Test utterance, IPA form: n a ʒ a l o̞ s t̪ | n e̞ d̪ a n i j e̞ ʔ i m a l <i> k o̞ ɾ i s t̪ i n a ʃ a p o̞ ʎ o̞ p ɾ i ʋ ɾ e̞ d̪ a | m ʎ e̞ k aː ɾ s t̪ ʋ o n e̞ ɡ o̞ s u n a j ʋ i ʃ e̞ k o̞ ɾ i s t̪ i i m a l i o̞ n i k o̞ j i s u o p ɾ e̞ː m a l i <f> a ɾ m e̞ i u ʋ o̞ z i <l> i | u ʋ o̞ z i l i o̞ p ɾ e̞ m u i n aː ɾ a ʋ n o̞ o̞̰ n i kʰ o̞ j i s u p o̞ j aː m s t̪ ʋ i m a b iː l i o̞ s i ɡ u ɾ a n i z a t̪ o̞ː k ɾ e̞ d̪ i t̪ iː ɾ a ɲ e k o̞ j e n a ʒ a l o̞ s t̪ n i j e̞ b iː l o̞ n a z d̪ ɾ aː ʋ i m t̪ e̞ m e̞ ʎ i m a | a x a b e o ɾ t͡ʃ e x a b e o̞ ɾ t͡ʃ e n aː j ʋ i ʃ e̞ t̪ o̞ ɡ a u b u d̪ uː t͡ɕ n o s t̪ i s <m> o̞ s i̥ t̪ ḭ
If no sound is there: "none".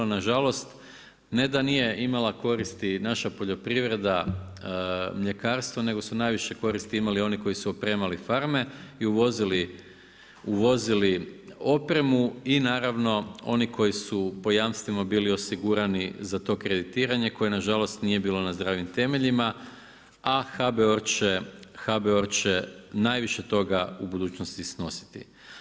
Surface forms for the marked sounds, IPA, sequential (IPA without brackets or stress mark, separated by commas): a, f, l, n